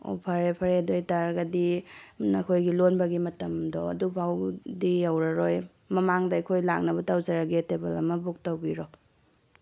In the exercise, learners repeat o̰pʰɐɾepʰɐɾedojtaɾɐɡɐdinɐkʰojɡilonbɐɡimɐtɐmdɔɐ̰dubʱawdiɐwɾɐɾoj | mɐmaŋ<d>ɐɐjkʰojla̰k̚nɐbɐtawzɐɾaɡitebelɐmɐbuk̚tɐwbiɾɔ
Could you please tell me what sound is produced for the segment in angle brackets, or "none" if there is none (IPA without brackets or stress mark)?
d